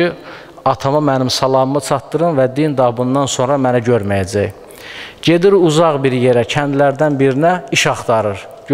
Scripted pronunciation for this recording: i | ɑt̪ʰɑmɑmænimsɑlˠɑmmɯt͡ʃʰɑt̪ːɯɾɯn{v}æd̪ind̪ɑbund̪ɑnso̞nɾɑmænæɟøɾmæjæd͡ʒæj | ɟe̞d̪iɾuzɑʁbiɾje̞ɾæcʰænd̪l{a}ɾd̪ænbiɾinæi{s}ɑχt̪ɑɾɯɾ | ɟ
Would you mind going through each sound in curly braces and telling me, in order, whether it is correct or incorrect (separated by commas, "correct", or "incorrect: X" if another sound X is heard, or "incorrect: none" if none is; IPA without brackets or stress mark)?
correct, incorrect: æ, incorrect: ʃ